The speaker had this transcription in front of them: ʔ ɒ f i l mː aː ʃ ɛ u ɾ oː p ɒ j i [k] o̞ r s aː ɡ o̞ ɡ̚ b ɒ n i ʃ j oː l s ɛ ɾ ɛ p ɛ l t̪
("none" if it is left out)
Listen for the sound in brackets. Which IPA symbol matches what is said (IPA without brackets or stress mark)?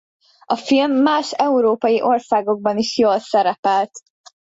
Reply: ʔ